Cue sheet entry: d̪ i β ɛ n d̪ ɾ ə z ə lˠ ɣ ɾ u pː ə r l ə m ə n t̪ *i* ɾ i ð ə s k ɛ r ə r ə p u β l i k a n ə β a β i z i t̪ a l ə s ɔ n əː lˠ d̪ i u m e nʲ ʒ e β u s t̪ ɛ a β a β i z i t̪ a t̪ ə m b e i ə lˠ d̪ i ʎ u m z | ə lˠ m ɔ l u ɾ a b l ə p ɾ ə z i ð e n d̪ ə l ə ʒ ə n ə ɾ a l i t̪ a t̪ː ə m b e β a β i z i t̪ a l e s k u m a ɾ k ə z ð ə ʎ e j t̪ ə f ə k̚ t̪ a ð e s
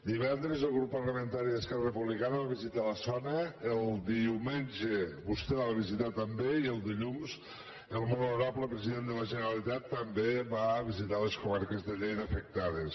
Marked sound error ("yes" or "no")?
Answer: yes